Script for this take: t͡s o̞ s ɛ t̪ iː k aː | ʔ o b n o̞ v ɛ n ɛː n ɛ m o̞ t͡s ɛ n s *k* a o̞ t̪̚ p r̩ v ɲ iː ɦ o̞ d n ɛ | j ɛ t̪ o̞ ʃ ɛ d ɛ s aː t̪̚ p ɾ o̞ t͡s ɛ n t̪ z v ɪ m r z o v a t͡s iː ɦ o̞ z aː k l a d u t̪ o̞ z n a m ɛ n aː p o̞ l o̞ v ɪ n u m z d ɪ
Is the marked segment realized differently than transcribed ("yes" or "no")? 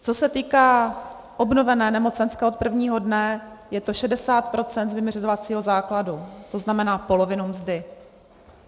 no